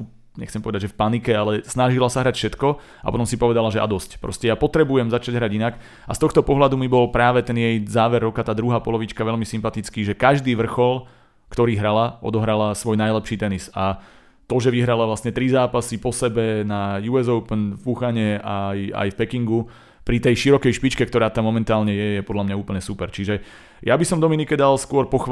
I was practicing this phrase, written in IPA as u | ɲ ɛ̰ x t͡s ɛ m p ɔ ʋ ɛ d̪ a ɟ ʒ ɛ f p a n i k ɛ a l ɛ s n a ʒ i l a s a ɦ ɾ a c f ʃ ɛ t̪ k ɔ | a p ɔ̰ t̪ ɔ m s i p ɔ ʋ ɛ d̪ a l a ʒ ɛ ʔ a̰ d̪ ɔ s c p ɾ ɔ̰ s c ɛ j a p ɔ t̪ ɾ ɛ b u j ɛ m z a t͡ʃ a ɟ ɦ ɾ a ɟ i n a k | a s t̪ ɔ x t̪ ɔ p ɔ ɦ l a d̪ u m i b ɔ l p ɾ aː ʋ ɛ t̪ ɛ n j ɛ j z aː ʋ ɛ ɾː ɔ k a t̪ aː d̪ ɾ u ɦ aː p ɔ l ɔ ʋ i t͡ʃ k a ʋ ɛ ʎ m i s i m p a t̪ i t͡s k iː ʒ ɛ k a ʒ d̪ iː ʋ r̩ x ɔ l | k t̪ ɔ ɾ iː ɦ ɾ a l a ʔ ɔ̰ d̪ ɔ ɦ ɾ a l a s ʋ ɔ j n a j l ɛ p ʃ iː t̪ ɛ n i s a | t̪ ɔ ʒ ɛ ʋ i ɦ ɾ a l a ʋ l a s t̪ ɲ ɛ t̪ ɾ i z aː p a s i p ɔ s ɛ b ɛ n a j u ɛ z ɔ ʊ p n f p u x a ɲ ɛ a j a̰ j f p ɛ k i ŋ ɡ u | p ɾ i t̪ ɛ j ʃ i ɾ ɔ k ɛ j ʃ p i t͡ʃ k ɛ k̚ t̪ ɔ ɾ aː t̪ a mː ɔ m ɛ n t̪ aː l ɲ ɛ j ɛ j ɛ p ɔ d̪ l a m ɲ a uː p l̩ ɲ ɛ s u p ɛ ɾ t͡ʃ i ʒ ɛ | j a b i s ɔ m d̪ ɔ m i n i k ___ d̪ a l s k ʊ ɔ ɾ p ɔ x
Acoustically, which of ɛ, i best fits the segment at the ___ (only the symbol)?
ɛ